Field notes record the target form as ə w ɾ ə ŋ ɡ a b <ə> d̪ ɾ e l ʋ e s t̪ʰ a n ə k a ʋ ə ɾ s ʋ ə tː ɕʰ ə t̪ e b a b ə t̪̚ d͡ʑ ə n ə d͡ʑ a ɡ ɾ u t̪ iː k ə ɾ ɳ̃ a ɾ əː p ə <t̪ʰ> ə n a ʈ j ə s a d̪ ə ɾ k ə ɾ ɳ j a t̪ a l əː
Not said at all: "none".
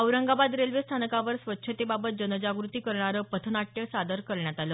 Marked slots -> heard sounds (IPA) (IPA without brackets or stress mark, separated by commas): a, t̪ʰ